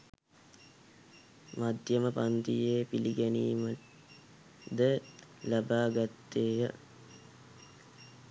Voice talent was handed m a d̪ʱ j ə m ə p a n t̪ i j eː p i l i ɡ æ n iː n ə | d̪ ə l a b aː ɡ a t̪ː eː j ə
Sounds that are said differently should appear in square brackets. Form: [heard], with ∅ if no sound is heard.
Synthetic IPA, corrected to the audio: m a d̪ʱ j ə m ə p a n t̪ i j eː p i l i ɡ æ n iː [m] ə | d̪ ə l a b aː ɡ a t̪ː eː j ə